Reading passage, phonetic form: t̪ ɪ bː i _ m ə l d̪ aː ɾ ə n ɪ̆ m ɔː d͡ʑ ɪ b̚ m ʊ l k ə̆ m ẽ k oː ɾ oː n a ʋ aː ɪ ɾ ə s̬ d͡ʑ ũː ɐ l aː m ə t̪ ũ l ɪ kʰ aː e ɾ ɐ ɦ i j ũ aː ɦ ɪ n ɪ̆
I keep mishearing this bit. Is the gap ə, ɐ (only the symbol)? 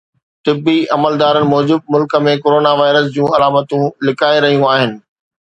ɐ